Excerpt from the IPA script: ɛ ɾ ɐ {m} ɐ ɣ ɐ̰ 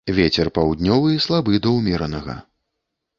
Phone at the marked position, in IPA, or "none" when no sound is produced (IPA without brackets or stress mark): n